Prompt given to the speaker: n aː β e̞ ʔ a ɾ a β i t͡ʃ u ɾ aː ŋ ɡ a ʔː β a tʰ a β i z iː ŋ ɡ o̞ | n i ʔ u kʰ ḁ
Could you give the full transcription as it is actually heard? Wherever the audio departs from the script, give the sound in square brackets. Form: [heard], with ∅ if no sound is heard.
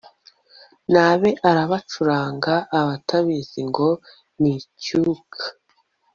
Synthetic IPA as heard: n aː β e̞ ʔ a ɾ a β [a] t͡ʃ u ɾ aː ŋ ɡ a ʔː β a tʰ a β i z [i] ŋ ɡ o̞ | n i [c] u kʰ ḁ